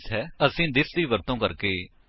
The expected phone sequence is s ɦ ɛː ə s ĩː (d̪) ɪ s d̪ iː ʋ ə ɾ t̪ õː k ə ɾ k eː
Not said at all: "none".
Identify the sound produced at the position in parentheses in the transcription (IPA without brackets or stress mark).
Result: d̪